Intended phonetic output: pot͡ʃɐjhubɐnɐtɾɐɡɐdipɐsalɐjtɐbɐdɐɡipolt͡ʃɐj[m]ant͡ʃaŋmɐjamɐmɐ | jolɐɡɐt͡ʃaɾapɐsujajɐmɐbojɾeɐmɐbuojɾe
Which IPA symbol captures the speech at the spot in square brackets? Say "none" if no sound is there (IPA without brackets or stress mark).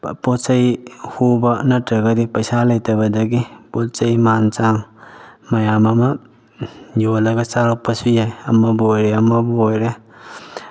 m